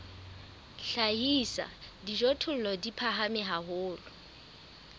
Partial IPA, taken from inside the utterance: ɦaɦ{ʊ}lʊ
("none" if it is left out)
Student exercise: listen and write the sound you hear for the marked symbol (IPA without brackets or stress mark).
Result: ʊː